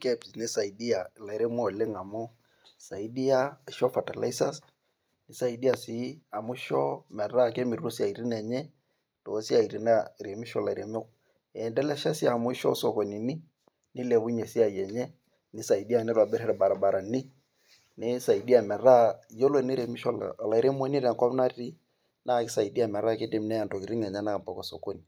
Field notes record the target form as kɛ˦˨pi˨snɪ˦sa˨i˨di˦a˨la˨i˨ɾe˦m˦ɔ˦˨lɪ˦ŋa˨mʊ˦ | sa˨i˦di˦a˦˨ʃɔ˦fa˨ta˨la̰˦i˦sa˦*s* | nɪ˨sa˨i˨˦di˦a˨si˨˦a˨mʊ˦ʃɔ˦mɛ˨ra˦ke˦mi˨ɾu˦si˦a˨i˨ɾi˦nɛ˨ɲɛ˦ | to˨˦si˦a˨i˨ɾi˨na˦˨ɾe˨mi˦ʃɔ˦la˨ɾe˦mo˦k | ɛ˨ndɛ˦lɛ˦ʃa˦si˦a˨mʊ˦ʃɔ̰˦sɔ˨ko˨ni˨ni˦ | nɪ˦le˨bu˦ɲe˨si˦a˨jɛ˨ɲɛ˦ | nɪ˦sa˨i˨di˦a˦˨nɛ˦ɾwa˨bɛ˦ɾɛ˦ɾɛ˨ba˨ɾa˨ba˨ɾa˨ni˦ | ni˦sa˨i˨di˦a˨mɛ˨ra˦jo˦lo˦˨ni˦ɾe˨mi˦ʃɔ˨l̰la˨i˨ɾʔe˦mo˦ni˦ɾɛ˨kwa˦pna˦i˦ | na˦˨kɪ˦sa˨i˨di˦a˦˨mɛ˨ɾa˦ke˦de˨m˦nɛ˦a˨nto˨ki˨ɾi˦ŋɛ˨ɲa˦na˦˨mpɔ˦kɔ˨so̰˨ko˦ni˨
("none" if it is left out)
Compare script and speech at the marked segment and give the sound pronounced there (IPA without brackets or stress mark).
s